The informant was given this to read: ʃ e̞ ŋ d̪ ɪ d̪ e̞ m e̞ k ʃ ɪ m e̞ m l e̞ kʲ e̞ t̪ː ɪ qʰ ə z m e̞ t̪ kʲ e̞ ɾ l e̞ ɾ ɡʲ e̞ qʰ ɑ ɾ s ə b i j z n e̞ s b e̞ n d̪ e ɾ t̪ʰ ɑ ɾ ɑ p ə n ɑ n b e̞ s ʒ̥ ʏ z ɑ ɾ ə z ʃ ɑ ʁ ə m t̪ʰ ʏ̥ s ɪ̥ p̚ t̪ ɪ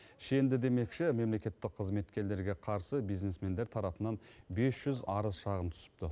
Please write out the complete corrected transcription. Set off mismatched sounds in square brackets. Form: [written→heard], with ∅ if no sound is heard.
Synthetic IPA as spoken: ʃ e̞ [ŋ→n] d̪ ɪ d̪ e̞ m e̞ k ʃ ɪ m e̞ m l e̞ kʲ e̞ t̪ː ɪ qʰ ə z m e̞ t̪ kʲ e̞ ɾ l e̞ ɾ ɡʲ e̞ qʰ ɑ ɾ s ə b i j z n e̞ s [b→m] e̞ n d̪ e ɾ t̪ʰ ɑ ɾ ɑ p ə n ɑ n b e̞ s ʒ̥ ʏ z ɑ ɾ ə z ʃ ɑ ʁ ə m t̪ʰ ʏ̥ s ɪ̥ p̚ t̪ ɪ